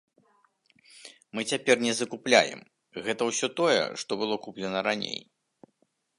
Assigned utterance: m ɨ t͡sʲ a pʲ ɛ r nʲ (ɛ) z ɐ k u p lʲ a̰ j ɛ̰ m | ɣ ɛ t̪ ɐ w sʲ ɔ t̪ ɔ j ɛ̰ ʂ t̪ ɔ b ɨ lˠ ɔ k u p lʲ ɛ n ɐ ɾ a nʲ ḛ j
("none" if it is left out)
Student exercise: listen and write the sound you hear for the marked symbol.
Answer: ɛ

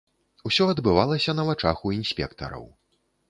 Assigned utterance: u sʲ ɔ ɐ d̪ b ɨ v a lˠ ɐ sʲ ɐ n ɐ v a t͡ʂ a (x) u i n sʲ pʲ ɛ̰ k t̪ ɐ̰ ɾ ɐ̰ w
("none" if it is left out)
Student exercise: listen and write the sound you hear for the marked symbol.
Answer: x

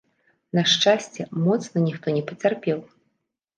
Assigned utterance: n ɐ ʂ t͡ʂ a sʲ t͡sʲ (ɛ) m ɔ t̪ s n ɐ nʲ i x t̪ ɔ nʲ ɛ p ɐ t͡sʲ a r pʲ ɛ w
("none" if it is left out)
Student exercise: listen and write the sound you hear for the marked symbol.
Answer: ɛ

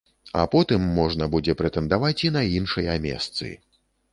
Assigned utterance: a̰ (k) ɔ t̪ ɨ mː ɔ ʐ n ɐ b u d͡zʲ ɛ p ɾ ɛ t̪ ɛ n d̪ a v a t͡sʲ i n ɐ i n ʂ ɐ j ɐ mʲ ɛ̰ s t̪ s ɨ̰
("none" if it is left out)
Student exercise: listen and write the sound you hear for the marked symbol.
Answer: p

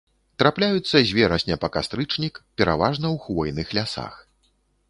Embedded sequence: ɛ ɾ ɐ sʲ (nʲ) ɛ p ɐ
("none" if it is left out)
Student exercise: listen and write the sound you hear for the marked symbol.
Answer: nʲ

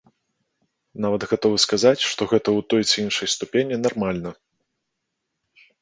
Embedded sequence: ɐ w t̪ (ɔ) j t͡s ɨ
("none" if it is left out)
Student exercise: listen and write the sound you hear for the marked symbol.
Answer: ɔ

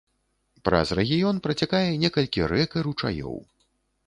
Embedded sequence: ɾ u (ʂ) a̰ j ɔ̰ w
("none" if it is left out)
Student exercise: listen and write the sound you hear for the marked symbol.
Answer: t͡ʂ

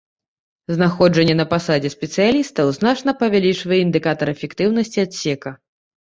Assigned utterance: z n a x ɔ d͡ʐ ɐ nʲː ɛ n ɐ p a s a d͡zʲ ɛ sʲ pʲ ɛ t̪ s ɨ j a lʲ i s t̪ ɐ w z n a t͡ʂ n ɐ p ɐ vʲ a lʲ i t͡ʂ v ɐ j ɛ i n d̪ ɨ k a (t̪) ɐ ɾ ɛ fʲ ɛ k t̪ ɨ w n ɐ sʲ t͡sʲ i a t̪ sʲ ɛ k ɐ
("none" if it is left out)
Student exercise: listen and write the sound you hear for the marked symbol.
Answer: t̪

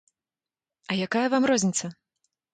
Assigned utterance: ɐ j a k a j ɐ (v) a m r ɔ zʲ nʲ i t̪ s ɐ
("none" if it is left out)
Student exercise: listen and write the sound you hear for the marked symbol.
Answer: v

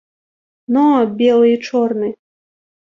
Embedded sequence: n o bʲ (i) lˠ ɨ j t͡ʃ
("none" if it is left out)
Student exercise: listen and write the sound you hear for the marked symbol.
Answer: e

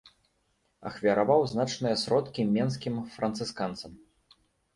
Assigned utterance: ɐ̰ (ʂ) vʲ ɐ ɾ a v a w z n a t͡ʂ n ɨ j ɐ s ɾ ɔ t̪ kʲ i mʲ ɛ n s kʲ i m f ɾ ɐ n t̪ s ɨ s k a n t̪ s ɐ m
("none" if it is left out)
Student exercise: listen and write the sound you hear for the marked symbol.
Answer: x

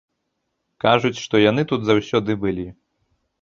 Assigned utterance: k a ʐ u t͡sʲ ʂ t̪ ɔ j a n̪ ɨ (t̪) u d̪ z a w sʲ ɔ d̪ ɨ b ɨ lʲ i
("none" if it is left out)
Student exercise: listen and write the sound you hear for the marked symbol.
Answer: t̪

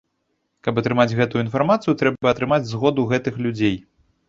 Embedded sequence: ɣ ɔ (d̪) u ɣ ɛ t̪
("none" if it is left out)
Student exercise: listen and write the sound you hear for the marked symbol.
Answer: d̪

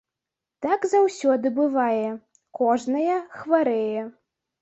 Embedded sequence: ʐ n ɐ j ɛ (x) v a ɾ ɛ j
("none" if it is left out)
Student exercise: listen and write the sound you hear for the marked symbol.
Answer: x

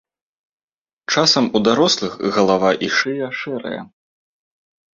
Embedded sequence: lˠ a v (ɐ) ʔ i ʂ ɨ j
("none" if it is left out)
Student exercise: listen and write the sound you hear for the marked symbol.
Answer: a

